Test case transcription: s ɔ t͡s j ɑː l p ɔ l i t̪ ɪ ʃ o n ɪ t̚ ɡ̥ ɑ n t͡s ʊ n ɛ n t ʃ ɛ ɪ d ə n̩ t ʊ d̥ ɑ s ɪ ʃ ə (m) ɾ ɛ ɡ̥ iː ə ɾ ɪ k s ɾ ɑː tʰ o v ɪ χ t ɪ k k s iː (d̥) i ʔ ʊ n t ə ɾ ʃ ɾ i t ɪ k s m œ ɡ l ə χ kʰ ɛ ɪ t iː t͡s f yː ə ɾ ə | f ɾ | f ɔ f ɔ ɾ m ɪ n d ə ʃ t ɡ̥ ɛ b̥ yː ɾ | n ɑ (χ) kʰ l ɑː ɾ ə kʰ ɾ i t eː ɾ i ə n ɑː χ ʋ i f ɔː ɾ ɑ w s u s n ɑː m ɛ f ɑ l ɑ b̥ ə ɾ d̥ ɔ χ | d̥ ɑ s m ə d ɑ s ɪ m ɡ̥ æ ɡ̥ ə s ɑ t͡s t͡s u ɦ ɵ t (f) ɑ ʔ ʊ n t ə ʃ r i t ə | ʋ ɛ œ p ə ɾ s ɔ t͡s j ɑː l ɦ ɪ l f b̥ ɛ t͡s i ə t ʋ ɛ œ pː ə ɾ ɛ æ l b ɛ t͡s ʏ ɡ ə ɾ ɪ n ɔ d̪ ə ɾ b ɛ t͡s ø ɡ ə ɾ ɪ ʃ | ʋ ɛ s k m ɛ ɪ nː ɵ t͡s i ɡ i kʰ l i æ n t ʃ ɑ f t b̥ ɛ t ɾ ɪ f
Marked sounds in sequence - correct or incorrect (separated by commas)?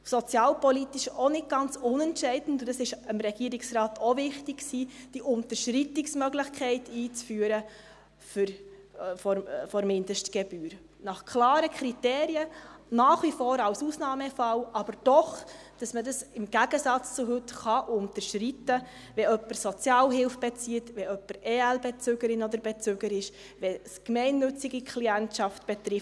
correct, correct, correct, incorrect